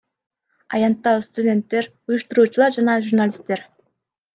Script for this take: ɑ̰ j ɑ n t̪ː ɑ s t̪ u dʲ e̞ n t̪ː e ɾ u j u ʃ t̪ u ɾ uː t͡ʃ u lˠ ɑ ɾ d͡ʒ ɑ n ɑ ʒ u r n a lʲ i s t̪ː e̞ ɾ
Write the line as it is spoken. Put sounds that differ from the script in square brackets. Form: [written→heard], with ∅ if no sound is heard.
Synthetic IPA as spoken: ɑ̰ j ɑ n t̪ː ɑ s t̪ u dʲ e̞ n t̪ː e ɾ u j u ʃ t̪ u ɾ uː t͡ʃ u lˠ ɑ ɾ d͡ʒ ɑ n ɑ ʒ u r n a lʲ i s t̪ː e̞ ɾ